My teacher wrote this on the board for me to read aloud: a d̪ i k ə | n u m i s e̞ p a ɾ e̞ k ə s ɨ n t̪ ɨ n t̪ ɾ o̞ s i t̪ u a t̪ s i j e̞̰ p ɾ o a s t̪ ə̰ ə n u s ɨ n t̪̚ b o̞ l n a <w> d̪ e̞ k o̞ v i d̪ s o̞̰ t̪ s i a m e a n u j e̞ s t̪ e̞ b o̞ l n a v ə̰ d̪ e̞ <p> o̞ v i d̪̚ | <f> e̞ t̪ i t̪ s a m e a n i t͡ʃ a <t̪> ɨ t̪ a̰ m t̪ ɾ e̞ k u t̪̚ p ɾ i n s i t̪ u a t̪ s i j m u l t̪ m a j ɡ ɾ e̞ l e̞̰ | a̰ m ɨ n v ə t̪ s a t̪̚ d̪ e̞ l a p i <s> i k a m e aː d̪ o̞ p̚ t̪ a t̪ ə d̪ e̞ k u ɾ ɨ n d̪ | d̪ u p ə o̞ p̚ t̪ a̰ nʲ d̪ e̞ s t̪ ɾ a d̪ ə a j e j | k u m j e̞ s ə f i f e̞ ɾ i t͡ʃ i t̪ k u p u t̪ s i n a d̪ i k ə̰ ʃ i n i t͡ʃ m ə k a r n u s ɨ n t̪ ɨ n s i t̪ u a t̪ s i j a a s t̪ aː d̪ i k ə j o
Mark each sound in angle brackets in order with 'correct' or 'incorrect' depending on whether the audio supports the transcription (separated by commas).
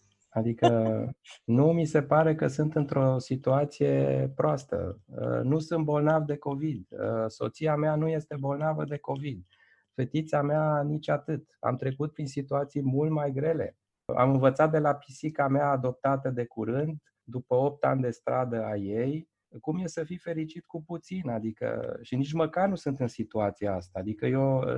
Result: incorrect, incorrect, correct, correct, correct